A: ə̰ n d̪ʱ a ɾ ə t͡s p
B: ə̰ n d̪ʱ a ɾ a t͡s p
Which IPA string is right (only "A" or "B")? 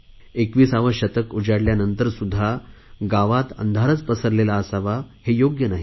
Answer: A